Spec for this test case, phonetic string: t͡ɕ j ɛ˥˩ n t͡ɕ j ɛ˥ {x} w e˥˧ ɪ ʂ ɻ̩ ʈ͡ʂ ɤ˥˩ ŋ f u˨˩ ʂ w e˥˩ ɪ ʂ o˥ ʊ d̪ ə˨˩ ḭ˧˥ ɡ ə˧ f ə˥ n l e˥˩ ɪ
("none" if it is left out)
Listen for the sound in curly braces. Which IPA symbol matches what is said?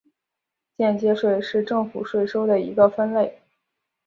ʂ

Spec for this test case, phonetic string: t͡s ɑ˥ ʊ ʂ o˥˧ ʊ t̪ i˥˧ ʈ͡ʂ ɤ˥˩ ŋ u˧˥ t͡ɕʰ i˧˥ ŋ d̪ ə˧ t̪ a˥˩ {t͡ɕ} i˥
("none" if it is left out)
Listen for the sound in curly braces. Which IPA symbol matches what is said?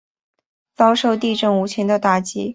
t͡ɕ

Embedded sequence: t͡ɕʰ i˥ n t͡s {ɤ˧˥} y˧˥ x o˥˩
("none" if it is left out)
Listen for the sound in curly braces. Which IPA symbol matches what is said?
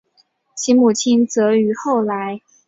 ɤ˧˥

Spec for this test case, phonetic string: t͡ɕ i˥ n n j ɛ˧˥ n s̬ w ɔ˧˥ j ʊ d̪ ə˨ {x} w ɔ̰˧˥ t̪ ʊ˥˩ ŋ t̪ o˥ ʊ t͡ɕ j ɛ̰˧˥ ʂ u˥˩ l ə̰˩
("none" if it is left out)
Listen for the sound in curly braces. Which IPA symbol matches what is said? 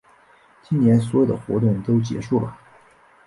x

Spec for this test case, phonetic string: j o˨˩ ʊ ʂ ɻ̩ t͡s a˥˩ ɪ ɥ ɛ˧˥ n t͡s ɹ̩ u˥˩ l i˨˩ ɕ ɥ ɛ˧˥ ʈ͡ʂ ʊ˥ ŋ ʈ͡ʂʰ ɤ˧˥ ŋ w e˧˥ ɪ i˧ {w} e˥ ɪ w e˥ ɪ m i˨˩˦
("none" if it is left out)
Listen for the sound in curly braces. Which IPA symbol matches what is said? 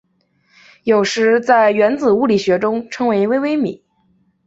w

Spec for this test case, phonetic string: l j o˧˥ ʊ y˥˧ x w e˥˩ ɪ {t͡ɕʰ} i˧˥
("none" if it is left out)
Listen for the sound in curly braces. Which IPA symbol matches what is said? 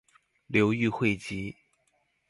t͡ɕ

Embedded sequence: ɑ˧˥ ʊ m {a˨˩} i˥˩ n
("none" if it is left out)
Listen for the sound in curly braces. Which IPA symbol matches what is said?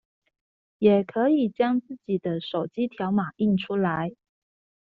a˨˩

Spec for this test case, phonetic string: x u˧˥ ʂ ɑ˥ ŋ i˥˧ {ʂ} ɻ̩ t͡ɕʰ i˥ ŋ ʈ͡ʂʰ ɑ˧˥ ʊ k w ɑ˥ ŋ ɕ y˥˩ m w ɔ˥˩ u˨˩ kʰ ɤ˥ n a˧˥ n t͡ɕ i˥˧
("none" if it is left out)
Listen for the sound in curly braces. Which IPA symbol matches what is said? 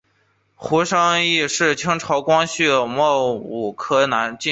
ʂ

